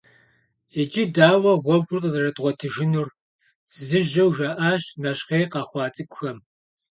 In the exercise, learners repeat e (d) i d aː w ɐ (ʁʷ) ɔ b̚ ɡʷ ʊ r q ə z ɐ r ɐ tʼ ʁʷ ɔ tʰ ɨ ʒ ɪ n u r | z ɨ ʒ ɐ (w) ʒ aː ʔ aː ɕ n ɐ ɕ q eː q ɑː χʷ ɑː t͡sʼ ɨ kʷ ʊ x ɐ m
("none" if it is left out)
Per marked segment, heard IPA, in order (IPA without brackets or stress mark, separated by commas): d͡ʒ, ʁʷ, w